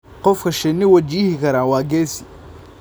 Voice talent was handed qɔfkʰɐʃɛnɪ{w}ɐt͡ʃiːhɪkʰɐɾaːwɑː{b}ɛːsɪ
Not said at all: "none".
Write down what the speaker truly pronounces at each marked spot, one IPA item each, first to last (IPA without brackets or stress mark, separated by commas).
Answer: w, ɡ